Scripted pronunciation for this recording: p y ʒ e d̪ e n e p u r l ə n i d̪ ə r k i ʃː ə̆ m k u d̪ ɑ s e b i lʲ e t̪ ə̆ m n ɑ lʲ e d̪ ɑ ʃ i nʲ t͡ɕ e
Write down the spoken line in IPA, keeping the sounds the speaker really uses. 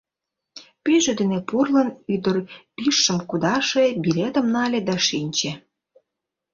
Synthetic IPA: p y ʒ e d̪ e n e p u r l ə n y d̪ ə r p i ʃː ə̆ m k u d̪ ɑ ʃ e b i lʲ e t̪ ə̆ m n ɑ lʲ e d̪ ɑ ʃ i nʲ t͡ɕ e